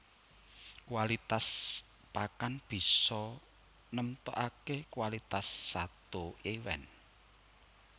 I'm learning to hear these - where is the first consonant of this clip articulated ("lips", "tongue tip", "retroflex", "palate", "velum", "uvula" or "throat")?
velum